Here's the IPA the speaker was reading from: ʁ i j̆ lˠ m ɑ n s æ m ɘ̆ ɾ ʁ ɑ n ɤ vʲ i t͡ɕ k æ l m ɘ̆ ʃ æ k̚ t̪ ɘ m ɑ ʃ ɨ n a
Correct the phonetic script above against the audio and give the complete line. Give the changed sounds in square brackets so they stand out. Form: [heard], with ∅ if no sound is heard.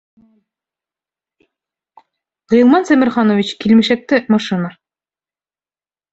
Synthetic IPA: ʁ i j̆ lˠ m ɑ n s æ m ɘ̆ ɾ [χ] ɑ n [o] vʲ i t͡ɕ k [i] l m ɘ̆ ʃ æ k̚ t̪ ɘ m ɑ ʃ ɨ n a